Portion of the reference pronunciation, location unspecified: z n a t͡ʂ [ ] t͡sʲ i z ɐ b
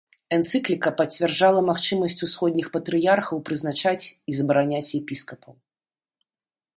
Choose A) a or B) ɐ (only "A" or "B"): A